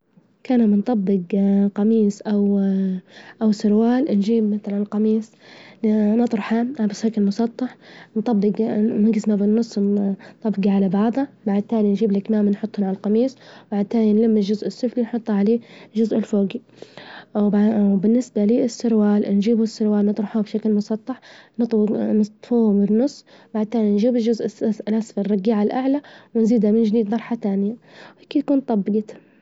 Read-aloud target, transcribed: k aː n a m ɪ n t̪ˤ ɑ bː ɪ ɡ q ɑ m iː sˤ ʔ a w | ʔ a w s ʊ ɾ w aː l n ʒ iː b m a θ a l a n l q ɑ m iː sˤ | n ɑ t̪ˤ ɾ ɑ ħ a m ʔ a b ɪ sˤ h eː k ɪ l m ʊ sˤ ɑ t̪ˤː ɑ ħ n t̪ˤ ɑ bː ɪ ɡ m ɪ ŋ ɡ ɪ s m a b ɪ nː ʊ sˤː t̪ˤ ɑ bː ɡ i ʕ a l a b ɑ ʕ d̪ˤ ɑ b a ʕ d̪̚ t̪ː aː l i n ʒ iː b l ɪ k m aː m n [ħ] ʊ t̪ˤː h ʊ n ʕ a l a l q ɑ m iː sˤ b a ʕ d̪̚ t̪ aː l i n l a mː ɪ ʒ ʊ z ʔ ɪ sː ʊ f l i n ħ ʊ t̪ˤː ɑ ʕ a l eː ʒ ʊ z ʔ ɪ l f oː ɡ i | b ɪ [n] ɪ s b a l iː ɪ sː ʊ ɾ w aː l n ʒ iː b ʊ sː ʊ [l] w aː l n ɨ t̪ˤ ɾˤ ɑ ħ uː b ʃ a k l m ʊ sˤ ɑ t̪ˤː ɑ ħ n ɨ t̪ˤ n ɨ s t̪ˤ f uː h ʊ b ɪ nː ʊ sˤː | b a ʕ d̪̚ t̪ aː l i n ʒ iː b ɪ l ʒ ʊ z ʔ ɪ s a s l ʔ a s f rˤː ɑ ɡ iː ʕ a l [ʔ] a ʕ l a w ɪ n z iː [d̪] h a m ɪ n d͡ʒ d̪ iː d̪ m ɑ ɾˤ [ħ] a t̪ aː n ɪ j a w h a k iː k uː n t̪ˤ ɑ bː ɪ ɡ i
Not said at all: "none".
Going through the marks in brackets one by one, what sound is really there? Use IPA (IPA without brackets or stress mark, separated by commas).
ħ, nː, ɾ, ʔ, d̪, ħ